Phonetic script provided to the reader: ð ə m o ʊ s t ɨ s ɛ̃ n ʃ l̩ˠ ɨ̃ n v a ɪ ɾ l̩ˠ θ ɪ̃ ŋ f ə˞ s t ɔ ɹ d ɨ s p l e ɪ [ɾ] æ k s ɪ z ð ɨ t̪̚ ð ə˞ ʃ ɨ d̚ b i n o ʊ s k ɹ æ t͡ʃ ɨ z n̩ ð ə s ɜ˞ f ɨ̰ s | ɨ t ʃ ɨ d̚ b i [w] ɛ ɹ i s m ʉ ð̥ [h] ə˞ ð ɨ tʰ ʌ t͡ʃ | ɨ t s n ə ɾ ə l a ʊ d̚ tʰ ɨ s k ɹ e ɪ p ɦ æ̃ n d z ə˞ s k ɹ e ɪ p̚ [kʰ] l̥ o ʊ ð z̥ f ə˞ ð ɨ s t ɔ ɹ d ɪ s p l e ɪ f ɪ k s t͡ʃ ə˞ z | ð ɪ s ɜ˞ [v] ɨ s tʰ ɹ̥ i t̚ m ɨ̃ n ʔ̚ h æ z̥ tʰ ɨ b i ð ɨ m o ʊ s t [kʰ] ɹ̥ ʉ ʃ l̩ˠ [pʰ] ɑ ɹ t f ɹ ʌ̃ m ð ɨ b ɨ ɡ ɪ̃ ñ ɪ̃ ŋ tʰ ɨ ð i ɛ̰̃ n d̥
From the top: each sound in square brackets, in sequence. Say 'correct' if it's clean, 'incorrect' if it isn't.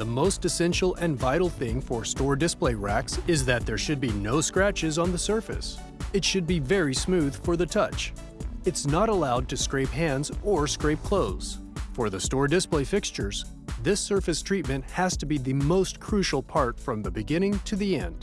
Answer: incorrect: ɹ, incorrect: v, incorrect: f, correct, incorrect: f, correct, correct

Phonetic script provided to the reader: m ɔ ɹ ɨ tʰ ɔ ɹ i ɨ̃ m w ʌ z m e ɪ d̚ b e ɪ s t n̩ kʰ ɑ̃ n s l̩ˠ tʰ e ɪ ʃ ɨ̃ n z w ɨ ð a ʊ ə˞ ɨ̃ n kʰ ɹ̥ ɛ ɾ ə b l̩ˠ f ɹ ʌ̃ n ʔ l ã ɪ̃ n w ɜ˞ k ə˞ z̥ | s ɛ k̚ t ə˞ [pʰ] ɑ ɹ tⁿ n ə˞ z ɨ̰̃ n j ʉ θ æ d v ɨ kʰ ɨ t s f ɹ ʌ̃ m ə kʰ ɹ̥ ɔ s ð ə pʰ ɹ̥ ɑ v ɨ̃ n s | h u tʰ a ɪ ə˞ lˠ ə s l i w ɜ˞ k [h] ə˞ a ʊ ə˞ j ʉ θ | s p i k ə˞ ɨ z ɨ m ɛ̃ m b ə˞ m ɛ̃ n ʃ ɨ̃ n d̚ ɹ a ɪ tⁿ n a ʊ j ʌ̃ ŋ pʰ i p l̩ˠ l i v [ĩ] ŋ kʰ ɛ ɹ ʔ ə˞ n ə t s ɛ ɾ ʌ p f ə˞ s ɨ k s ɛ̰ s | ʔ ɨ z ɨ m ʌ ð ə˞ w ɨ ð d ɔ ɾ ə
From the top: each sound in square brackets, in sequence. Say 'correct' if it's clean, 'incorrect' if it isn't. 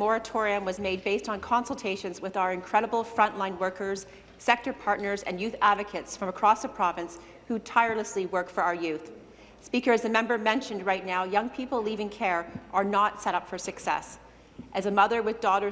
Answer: correct, incorrect: f, incorrect: ɪ̃

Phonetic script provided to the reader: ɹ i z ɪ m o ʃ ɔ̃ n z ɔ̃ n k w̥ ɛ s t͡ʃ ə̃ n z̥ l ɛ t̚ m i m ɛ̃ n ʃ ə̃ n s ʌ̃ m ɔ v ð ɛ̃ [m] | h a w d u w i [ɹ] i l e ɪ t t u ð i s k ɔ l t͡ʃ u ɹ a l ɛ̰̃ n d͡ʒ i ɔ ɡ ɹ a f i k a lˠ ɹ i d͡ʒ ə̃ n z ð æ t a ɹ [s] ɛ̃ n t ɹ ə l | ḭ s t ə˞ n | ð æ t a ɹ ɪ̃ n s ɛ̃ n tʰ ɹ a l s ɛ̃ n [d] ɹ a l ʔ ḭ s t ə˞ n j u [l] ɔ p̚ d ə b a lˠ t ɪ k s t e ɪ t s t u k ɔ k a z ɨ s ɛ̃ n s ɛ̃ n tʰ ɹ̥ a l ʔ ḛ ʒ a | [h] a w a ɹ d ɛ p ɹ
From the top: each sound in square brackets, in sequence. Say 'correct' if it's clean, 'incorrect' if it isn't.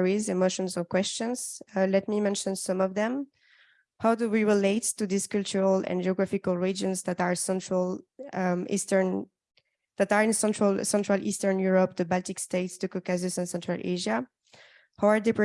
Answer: correct, correct, correct, incorrect: t, incorrect: ɹ, correct

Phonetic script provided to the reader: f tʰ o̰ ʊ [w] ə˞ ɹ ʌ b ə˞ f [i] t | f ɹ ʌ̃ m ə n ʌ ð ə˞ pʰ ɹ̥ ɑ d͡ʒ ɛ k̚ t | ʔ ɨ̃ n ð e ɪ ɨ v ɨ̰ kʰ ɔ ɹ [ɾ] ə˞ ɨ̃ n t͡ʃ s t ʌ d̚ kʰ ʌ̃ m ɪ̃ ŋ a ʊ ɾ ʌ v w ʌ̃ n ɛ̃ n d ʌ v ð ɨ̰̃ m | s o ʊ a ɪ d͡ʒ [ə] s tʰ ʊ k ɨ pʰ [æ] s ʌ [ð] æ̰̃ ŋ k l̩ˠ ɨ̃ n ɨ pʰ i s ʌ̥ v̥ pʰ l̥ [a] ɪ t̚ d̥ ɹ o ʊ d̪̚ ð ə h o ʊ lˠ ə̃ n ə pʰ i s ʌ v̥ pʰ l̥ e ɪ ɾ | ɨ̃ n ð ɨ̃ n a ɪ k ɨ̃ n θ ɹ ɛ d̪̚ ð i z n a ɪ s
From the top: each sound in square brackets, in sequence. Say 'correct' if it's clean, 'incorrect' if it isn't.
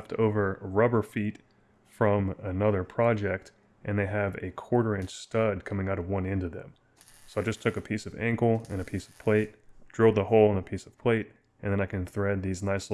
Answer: incorrect: v, correct, correct, incorrect: ʌ, incorrect: i, incorrect: v, incorrect: e

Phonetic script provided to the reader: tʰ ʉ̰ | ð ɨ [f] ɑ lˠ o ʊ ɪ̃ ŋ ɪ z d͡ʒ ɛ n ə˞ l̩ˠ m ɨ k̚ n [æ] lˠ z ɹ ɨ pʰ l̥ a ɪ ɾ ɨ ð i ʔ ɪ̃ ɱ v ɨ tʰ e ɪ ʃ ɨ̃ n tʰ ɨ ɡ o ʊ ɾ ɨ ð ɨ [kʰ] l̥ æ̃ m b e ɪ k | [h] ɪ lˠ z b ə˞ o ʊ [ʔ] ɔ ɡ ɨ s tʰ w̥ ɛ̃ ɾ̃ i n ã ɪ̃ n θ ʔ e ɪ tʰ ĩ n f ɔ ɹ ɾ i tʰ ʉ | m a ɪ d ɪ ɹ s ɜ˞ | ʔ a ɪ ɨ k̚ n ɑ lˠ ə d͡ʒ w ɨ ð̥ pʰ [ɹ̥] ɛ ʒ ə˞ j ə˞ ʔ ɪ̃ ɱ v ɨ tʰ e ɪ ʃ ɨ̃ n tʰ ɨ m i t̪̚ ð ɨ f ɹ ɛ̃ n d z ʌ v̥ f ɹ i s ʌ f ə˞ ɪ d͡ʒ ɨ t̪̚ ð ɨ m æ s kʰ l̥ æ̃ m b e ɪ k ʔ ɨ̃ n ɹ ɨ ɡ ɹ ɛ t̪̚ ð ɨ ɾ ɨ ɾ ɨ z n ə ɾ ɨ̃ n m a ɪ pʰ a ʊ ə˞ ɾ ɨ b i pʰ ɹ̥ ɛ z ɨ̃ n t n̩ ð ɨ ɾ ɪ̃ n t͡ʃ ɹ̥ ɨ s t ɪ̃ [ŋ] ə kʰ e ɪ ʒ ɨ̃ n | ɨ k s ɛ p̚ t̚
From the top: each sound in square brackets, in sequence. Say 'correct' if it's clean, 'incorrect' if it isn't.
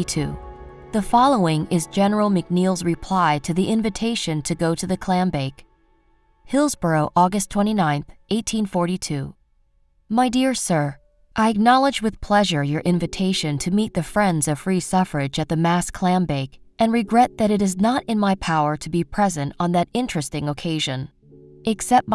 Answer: correct, incorrect: i, correct, correct, correct, incorrect: l̥, correct

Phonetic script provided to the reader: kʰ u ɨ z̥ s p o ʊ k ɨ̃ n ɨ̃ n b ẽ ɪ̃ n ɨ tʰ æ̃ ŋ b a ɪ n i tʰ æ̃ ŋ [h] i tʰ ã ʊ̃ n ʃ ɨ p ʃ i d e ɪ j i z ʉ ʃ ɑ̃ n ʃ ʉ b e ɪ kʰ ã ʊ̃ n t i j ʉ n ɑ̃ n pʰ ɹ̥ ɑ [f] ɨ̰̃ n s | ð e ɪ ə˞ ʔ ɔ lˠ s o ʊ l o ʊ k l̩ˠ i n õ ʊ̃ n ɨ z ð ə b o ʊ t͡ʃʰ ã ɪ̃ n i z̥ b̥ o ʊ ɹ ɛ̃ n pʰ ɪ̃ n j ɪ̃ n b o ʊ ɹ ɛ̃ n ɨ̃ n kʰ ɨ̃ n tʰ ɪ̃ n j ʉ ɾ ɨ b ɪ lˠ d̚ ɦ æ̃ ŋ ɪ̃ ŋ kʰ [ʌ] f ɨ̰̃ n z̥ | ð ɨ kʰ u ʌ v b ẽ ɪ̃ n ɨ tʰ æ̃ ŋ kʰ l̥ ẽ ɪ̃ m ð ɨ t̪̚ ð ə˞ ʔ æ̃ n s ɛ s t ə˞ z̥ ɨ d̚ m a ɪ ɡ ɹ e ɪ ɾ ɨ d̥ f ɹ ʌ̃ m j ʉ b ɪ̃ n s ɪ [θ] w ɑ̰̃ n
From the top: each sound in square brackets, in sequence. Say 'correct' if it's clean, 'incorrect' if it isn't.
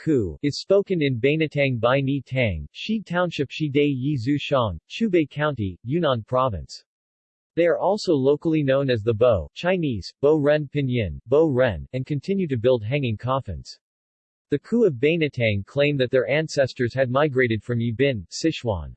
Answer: incorrect: ʃ, incorrect: v, incorrect: ɑ, incorrect: ʃ

